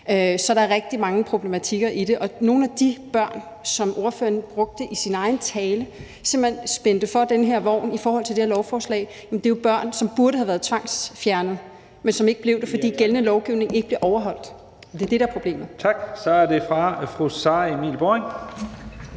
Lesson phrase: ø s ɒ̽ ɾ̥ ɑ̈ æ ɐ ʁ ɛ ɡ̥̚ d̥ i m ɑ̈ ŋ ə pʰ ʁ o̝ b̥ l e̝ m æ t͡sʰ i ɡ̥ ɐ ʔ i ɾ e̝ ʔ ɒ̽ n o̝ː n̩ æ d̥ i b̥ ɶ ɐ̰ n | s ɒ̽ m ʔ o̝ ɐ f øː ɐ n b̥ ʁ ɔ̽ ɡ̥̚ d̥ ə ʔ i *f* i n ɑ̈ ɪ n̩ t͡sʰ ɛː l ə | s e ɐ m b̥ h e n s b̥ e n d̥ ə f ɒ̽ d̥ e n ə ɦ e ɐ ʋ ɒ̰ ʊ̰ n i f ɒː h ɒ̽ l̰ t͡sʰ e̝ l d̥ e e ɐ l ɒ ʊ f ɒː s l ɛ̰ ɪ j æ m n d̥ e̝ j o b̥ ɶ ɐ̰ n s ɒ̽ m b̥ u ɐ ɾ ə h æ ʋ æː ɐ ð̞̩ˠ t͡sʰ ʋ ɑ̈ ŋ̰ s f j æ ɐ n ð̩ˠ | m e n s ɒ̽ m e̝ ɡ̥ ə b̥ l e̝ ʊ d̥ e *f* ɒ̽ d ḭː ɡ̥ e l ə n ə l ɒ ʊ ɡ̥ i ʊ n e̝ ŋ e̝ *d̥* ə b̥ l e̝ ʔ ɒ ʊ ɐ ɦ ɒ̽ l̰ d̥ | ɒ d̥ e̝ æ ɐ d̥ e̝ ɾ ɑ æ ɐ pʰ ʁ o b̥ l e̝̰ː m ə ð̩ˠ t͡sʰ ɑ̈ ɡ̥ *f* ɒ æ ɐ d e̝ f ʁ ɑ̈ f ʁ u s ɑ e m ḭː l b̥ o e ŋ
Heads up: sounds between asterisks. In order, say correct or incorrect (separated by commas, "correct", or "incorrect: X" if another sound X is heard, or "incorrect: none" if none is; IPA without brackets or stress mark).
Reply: incorrect: s, correct, incorrect: ɡ̥, incorrect: s